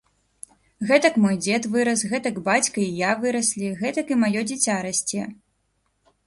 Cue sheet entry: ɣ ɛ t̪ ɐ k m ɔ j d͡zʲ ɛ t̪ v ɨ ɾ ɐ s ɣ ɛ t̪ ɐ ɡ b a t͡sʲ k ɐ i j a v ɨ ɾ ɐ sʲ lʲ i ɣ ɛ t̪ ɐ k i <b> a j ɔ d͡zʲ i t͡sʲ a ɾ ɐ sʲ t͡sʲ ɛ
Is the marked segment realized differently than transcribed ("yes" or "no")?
yes